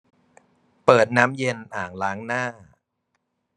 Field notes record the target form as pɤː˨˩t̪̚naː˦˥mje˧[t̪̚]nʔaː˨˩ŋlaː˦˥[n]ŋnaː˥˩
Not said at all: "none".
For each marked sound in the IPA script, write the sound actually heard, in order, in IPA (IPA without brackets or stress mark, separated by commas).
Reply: none, none